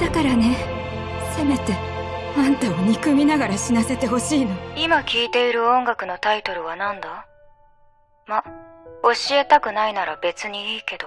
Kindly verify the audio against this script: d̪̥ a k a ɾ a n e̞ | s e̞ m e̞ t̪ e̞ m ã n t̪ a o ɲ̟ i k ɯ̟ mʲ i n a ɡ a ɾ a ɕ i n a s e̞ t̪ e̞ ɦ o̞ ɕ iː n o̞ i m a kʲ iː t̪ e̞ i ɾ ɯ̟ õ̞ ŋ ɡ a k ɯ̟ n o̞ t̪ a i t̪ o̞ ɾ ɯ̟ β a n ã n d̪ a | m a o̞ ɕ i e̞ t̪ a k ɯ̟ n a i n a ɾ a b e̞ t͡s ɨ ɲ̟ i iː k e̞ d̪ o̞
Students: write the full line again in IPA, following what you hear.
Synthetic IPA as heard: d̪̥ a k a ɾ a n e̞ | s e̞ m e̞ t̪ e̞ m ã n t̪ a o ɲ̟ i k ɯ̟ mʲ i n a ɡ a ɾ a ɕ i n a s e̞ t̪ e̞ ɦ o̞ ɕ iː n o̞ i m a kʲ iː t̪ e̞ i ɾ ɯ̟ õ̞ ŋ ɡ a k ɯ̟ n o̞ t̪ a i t̪ o̞ ɾ ɯ̟ β a n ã n d̪ a | m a o̞ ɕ i e̞ t̪ a k ɯ̟ n a i n a ɾ a b e̞ t͡s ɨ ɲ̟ i iː k e̞ d̪ o̞

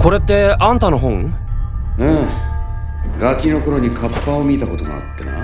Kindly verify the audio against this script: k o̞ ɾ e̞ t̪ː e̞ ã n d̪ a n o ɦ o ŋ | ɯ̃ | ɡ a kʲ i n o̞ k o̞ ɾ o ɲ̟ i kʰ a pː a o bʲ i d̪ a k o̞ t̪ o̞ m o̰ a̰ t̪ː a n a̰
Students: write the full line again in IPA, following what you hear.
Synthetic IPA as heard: k o̞ ɾ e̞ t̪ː e̞ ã n t̪ a n o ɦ õ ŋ | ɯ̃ | ɡ a kʲ i n o̞ k o̞ ɾ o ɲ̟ i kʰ a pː a o mʲ i t̪ a k o̞ t̪ o̞ m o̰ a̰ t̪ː a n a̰

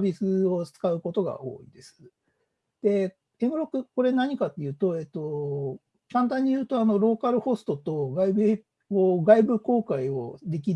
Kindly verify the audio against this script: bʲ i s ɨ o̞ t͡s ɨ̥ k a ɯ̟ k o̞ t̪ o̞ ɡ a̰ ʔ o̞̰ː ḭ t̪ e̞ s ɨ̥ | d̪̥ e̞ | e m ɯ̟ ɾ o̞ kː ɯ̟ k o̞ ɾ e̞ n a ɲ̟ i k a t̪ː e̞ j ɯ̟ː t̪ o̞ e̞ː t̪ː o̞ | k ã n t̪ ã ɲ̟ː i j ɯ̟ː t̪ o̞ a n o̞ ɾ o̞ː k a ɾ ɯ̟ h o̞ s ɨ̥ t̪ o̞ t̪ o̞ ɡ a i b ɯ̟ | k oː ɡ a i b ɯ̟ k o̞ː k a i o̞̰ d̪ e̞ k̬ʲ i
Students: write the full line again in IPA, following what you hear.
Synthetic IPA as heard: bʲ i s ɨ o̞ t͡s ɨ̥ k a ɯ̟ k o̞ t̪ o̞ ɡ a̰ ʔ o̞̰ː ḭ d̪ e̞ s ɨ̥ | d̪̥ e̞ | e m ɯ̟ ɾ o̞ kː ɯ̟ k o̞ ɾ e̞ n a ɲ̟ i k a t̪ː e̞ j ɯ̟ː t̪ o̞ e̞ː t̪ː o̞ | k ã n t̪ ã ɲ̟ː i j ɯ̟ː t̪ o̞ a n o̞ ɾ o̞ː k a ɾ ɯ̟ h o̞ s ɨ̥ t̪ o̞ t̪ o̞ ɡ a i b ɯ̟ | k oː ɡ a i b ɯ̟ k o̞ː k a i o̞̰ d̪ e̞ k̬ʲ i

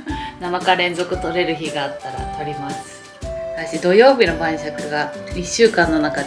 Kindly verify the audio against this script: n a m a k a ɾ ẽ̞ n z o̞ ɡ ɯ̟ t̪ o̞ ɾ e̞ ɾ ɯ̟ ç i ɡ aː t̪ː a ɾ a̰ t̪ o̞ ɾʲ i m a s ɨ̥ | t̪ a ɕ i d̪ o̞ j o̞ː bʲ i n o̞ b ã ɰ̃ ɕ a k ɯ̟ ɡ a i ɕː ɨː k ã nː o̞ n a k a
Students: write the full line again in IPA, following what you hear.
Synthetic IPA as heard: n a m a k a ɾ ẽ̞ n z o̞ k ɯ̟ t̪ o̞ ɾ e̞ ɾ ɯ̟ ç i ɡ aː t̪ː a ɾ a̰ t̪ o̞ ɾʲ i m a s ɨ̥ | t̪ a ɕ i d̪ o̞ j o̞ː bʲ i n o̞ b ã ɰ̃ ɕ a k ɯ̟ ɡ a i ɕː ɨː k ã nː o̞ n a k a

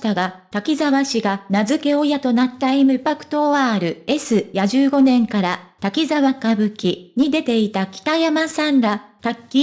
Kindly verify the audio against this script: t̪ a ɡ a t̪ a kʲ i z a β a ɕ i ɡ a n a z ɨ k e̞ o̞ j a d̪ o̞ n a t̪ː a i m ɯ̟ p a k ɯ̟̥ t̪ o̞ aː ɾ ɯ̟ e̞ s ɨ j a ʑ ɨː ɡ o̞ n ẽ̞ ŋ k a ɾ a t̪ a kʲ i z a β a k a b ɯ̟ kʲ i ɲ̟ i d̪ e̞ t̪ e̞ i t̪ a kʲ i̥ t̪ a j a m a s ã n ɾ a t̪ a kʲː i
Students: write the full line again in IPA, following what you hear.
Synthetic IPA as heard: t̪ a ɡ a t̪ a kʲ i z a β a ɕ i ɡ a n a z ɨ k e̞ o̞ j a t̪ o̞ n a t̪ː a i m ɯ̟ p a k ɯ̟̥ t̪ o̞ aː ɾ ɯ̟ e̞ s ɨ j a ʑ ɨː ɡ o̞ n ẽ̞ ŋ k a ɾ a t̪ a kʲ i z a β a k a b ɯ̟ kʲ i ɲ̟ i d̪ e̞ t̪ e̞ i t̪ a kʲ i̥ t̪ a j a m a s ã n ɾ a t̪ a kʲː i

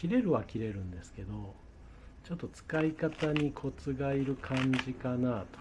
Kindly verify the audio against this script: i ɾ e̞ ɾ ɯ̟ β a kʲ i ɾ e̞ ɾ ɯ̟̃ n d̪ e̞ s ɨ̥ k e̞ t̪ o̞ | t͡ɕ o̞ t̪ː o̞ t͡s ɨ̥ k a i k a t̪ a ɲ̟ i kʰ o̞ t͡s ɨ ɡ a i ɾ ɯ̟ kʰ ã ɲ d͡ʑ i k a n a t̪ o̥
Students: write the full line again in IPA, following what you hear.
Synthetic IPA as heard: i ɾ e̞ ɾ ɯ̟ β a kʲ i ɾ e̞ ɾ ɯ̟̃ n d̪ e̞ s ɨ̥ k e̞ d̪ o̞ | t͡ɕ o̞ t̪ː o̞ t͡s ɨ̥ k a i k a t̪ a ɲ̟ i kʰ o̞ t͡s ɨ ɡ a i ɾ ɯ̟ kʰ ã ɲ d͡ʑ i k a n a t̪ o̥

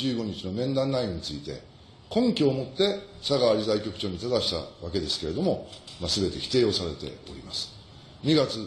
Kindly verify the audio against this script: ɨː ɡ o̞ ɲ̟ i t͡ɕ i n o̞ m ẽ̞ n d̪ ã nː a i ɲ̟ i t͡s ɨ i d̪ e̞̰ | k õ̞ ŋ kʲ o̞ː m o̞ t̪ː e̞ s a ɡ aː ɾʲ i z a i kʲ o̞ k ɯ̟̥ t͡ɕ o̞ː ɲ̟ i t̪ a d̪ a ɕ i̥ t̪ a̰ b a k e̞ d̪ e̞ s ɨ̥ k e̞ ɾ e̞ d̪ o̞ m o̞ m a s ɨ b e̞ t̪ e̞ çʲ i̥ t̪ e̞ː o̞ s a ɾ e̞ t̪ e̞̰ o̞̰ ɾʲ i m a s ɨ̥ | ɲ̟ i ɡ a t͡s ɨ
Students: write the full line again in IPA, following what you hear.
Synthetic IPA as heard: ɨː ɡ o̞ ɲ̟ i t͡ɕ i n o̞ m ẽ̞ n d̪ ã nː a i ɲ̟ i t͡s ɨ i t̪ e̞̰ | k õ̞ ŋ kʲ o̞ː m o̞ t̪ː e̞ s a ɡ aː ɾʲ i z a i kʲ o̞ k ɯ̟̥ t͡ɕ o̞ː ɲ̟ i t̪ a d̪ a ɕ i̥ t̪ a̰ β a k e̞ d̪ e̞ s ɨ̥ k e̞ ɾ e̞ d̪ o̞ m o̞ m a s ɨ b e̞ t̪ e̞ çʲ i̥ t̪ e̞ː o̞ s a ɾ e̞ t̪ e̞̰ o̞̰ ɾʲ i m a s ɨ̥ | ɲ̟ i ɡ a t͡s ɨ

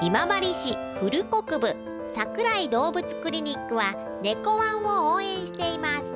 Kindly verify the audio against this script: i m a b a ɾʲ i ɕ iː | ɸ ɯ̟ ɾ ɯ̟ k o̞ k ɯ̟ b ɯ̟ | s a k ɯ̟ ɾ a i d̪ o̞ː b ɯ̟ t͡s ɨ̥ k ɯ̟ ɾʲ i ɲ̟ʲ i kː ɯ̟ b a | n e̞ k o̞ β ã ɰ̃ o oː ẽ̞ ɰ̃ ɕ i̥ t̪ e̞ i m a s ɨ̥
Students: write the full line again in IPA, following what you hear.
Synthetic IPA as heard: i m a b a ɾʲ i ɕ i | ɸ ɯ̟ ɾ ɯ̟ k o̞ k ɯ̟ b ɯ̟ | s a k ɯ̟ ɾ a i d̪ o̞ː b ɯ̟ t͡s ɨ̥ k ɯ̟ ɾʲ i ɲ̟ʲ i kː ɯ̟ β a | n e̞ k o̞ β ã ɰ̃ o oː ẽ̞ ɰ̃ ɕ i̥ t̪ e̞ i m a s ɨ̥

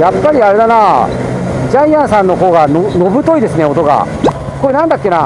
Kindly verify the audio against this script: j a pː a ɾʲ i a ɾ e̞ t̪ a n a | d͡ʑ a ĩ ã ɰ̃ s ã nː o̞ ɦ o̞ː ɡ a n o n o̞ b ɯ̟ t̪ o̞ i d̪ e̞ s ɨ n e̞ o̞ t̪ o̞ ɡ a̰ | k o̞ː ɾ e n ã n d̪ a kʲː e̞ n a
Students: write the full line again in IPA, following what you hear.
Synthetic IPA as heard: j a pː a ɾʲ i a ɾ e̞ d̪ a n a | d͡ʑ a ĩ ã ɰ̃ s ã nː o̞ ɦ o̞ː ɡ a n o n o̞ b ɯ̟ t̪ o̞ i d̪ e̞ s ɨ n e̞ o̞ t̪ o̞ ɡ a̰ | k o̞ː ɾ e n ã n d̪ a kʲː e̞ n a

